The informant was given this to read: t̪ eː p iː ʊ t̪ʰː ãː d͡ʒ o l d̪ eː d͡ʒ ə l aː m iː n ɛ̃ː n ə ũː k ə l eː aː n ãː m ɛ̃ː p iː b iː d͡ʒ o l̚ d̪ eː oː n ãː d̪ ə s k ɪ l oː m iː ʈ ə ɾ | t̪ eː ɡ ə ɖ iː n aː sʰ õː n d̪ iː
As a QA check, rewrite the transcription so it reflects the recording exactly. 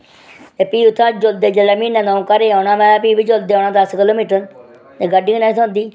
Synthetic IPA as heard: t̪ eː p iː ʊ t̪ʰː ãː d͡ʒ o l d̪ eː d͡ʒ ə l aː m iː n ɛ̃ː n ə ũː k ə ɾ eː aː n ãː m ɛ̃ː p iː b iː d͡ʒ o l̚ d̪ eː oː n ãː d̪ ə s k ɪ l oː m iː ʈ ə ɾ | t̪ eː ɡ ə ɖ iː n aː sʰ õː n d̪ iː